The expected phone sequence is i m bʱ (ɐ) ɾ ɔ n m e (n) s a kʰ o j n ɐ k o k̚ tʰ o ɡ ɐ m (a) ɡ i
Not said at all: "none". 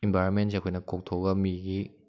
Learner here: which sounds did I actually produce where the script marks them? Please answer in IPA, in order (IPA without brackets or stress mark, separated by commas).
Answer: a, n, i